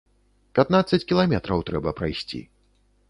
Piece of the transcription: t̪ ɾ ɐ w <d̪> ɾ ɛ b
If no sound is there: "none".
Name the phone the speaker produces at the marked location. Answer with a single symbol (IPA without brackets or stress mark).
t̪